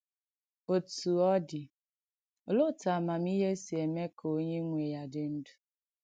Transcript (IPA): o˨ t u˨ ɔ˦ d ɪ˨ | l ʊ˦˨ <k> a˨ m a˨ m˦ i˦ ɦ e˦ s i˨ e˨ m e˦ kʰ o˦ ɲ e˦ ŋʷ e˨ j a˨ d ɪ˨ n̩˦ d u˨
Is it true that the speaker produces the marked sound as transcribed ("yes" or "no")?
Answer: no